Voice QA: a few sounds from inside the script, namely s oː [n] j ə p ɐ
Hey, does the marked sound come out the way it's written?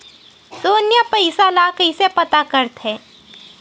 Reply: yes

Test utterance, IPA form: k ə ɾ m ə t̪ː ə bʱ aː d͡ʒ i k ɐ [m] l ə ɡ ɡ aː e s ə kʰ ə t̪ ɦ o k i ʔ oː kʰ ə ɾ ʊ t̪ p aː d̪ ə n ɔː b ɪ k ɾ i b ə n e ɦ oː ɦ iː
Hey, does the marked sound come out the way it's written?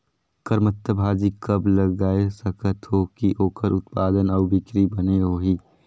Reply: no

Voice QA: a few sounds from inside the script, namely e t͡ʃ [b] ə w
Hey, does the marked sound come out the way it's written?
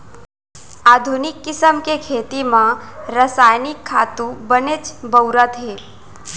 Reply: yes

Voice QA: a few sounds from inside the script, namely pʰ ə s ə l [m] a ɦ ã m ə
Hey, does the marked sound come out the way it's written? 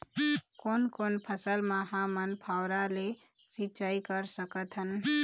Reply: yes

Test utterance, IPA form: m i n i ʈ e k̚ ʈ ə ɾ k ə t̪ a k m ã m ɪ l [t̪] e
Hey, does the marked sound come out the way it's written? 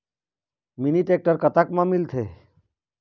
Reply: no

